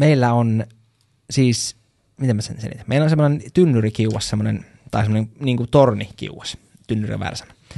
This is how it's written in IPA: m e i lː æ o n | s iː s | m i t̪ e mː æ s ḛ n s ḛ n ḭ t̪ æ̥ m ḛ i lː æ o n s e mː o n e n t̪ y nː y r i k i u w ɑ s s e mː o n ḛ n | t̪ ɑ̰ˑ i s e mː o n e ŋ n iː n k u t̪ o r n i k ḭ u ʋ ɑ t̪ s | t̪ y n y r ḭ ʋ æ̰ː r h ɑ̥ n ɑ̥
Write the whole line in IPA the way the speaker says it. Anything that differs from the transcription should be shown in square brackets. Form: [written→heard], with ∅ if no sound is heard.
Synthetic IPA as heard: m e i lː æ o n | s iː s | m i t̪ e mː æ s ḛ n s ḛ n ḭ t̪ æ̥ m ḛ i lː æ o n s e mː o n e n t̪ y nː y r i k i u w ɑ s s e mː o n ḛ n | t̪ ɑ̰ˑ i s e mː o n e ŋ n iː [n→ŋ] k u t̪ o r n i k ḭ u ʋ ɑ [t̪→∅] s | t̪ y [n→nː] y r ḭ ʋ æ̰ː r [h→s] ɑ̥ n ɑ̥